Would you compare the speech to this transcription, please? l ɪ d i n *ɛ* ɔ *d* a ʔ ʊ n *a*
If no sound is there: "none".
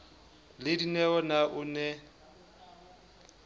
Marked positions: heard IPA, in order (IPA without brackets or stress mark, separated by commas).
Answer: ɛ, n, ɛ